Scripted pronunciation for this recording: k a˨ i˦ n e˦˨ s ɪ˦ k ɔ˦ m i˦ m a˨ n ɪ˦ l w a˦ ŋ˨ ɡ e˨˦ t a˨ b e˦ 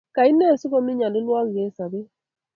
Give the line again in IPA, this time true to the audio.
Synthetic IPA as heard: k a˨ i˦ n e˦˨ s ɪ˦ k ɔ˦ m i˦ ɲ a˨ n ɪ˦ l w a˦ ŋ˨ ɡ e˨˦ s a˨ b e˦